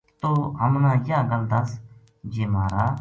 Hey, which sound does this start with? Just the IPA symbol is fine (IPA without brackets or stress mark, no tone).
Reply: t̪